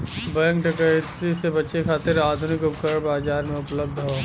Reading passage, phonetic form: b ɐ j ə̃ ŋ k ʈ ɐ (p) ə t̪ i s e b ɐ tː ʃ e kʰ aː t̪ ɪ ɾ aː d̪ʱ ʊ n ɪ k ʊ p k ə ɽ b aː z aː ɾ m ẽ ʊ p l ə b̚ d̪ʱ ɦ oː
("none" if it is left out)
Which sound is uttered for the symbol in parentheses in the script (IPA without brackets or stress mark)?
k